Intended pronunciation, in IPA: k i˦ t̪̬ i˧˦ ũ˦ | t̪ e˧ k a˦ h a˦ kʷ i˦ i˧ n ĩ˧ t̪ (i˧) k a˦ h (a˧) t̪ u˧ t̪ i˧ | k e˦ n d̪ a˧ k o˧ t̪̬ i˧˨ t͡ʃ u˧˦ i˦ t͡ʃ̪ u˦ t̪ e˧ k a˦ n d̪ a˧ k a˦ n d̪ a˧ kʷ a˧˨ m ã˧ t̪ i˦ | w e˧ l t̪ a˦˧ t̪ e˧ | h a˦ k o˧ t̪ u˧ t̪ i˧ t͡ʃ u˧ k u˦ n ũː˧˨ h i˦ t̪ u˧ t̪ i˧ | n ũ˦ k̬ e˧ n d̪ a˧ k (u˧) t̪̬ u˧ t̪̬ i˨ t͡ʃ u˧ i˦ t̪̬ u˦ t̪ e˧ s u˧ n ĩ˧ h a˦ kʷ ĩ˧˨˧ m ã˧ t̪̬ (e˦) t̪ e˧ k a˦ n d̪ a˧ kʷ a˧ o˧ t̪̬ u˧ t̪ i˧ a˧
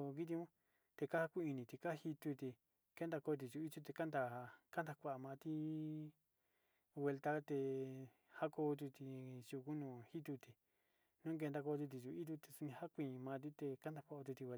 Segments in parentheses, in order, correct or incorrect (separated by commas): correct, incorrect, incorrect, incorrect